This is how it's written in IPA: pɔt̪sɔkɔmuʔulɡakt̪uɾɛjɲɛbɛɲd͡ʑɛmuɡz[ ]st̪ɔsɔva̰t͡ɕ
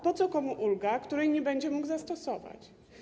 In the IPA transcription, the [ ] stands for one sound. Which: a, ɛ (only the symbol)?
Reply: a